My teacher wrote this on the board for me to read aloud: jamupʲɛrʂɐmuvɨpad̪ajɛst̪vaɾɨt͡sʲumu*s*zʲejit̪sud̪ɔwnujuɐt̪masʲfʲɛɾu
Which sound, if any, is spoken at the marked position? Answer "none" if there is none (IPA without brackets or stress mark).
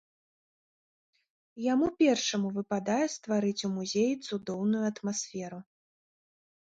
none